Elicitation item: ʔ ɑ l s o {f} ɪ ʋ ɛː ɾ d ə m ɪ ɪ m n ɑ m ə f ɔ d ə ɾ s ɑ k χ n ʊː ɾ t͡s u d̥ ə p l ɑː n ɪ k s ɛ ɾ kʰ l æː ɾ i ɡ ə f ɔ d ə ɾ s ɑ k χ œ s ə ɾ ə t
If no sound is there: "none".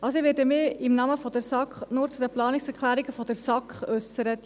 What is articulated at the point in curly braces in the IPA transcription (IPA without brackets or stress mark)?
none